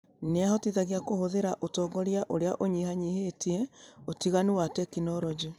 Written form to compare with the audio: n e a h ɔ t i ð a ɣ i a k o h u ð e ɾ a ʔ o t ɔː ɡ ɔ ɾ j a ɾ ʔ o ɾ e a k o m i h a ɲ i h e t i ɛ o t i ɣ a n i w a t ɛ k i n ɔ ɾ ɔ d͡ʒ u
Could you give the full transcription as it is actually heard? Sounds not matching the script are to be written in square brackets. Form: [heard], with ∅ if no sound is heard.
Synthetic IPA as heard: n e a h ɔ t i ð a ɣ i a k o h [o] ð e ɾ a ʔ o t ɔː ɡ ɔ ɾ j a [∅] ʔ o ɾ e a [ʔ] o [ɲ] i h a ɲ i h e t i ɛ o t i ɣ a n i w a t ɛ k i n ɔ ɾ ɔ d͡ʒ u